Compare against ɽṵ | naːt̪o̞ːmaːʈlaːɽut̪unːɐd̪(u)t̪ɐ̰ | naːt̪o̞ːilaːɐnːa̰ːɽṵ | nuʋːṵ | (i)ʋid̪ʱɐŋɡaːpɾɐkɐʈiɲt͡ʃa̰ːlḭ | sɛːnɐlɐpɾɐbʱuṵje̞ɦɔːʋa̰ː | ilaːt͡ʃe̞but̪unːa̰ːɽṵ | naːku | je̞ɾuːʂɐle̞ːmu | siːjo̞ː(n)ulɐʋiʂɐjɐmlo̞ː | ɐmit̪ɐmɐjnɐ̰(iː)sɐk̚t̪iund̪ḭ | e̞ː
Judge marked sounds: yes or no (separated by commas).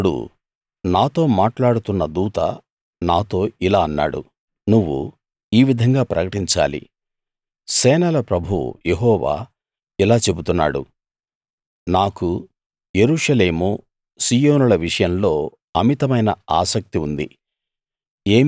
no, no, yes, no